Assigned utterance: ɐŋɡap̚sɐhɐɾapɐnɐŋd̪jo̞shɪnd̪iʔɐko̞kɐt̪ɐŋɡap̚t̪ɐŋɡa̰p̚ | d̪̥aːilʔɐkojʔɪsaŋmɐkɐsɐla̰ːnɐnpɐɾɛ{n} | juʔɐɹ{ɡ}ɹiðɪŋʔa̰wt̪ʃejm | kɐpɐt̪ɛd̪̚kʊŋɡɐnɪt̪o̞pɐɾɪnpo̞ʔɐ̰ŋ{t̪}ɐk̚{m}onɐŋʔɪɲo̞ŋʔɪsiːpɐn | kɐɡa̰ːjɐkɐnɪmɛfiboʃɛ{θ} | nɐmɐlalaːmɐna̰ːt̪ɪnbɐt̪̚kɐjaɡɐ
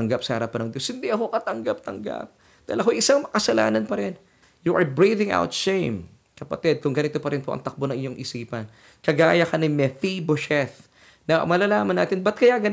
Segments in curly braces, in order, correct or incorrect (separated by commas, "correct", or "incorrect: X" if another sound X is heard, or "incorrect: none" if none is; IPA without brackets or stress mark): correct, incorrect: b, correct, incorrect: b, correct